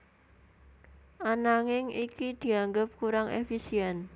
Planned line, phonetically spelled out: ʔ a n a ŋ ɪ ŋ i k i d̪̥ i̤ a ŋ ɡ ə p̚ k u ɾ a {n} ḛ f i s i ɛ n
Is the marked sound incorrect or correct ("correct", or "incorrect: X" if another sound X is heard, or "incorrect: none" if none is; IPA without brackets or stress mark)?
incorrect: ŋ